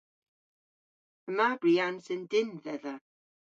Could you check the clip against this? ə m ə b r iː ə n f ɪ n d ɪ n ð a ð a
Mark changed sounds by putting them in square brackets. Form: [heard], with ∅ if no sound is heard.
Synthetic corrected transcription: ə m [a] b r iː [a] n [s] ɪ n d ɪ n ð [ɛ] ð a